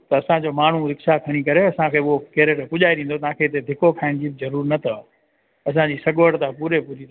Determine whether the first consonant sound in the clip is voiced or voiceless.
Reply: voiceless